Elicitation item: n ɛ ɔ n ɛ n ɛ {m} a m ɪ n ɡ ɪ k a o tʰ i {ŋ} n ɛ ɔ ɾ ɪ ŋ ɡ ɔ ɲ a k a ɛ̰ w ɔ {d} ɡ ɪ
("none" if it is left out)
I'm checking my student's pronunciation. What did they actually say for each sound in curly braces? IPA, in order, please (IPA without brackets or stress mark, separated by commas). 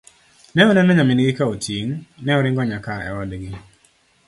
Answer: ɲ, ŋ, d